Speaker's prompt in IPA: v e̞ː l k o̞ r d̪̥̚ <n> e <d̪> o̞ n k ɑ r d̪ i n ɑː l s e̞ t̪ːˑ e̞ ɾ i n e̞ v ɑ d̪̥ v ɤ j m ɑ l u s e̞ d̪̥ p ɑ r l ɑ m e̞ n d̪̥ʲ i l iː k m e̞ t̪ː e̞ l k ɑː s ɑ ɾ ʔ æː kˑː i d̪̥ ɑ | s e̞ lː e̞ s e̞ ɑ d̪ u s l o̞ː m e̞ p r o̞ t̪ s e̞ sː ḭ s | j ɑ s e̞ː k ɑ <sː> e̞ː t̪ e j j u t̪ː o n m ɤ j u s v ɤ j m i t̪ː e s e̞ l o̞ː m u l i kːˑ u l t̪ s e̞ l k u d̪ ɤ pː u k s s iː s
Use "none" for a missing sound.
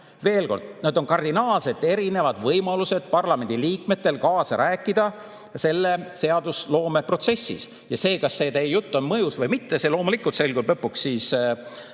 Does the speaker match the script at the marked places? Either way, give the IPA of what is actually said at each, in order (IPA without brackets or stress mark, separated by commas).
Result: n, d̪, sː